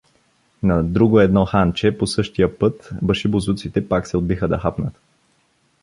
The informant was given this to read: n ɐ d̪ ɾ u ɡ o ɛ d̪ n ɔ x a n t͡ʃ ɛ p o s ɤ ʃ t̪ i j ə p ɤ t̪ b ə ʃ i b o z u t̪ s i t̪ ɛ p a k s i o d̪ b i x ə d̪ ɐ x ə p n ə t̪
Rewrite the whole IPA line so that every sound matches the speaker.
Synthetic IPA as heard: n ɐ d̪ ɾ u ɡ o ɛ d̪ n ɔ x a n t͡ʃ ɛ p o s ɤ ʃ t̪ i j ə p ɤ t̪ b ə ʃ i b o z u t̪ s i t̪ ɛ p a k s ɛ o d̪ b i x ə d̪ ɐ x a p n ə t̪